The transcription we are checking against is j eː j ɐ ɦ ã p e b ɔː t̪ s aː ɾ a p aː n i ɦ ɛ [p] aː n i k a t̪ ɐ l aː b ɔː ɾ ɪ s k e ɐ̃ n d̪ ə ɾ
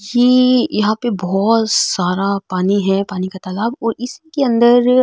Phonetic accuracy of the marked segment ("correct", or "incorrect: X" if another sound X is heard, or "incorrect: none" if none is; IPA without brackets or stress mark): correct